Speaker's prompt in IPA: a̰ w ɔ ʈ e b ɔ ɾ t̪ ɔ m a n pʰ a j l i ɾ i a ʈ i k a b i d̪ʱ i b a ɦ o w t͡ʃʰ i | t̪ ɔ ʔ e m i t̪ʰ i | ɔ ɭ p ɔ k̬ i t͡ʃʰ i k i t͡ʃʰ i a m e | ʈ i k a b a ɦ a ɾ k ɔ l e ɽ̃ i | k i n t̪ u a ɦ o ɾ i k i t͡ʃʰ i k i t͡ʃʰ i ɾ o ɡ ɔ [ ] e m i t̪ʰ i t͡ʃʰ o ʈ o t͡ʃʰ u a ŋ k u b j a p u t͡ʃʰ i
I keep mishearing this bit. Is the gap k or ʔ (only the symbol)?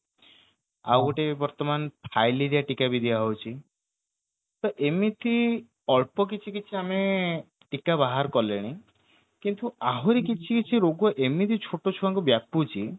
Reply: ʔ